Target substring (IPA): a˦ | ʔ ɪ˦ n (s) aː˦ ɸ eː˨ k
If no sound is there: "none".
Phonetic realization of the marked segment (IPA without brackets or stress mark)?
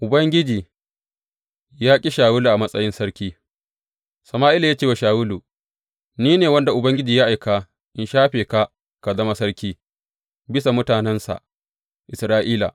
ʃ